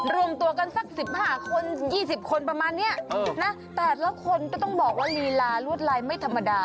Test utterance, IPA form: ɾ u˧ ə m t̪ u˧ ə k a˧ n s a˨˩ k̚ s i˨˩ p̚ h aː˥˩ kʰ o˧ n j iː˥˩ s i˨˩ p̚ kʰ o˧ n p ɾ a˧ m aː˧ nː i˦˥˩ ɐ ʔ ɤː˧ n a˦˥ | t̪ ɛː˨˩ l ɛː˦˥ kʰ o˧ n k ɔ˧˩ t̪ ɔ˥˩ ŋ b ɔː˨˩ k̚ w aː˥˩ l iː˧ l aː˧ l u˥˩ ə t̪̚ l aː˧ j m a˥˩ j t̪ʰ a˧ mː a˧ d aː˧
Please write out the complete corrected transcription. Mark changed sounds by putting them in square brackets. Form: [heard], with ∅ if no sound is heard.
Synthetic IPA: ɾ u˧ ə m t̪ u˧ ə k a˧ n s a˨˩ k̚ s i˨˩ p̚ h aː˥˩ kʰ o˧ n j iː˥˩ s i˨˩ p̚ kʰ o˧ n p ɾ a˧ m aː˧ nː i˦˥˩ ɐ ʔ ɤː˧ n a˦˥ | t̪ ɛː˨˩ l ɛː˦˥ kʰ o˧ n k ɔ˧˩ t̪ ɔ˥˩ ŋ b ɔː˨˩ k̚ w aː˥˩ l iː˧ l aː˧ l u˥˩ ə t̪̚ l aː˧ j m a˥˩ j t̪ʰ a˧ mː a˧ d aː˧